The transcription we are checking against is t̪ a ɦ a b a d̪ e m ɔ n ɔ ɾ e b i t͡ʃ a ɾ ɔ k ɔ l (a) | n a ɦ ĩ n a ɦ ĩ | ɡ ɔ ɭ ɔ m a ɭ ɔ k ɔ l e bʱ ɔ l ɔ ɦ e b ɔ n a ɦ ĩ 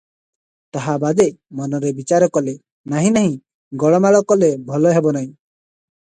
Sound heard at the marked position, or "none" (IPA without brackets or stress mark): e